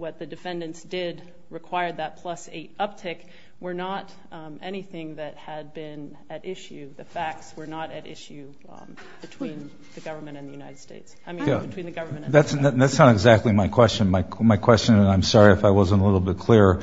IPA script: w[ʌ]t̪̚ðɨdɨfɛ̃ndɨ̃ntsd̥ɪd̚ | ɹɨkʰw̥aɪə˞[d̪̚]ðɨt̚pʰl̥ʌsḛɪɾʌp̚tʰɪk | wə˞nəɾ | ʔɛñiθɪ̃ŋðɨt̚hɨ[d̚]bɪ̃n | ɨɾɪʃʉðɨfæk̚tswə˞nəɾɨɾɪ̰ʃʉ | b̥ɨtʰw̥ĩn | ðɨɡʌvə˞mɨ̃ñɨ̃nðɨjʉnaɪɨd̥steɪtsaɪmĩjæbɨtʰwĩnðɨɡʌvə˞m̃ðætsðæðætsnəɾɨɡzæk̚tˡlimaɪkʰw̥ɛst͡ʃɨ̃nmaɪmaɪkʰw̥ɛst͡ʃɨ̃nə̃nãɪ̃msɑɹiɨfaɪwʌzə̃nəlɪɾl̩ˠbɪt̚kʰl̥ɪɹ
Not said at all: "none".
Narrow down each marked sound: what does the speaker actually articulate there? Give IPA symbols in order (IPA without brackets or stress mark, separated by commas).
ʌ, d̪̚, d̚